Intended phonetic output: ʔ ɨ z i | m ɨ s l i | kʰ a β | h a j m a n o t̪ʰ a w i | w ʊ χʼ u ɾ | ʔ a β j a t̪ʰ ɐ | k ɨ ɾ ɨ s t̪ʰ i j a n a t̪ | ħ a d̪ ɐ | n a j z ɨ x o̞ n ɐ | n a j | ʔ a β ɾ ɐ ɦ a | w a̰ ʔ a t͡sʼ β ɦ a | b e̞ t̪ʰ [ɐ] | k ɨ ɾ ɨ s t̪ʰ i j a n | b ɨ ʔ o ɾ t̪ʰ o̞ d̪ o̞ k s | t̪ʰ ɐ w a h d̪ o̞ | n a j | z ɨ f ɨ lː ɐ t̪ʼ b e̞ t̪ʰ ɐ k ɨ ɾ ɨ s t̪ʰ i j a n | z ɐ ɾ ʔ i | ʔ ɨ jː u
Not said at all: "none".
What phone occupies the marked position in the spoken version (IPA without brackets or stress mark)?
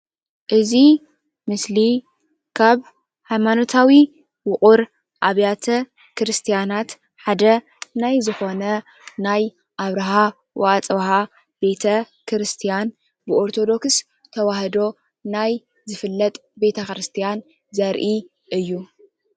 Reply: ɐ